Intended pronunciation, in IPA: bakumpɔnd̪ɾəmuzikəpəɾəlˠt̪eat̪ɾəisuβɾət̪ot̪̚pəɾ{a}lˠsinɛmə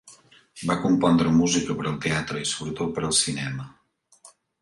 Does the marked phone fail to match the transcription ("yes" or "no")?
yes